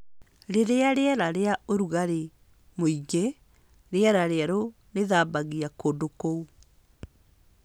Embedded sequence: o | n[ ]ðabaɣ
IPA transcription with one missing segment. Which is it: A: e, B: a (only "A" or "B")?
A